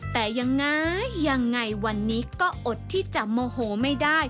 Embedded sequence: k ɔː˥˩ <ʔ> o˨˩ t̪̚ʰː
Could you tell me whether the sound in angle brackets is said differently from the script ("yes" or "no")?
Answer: no